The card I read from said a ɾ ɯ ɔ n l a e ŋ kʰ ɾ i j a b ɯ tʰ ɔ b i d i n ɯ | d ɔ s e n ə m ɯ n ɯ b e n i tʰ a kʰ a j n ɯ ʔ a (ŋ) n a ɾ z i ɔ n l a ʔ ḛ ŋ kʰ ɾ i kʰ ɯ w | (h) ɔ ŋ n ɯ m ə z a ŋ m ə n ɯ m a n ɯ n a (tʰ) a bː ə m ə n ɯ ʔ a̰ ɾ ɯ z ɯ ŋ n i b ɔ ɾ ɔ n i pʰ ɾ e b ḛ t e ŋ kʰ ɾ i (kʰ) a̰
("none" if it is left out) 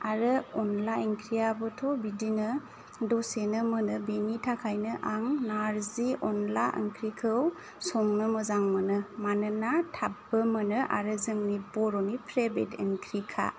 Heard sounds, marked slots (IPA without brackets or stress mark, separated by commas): ŋ, s, tʰ, kʰ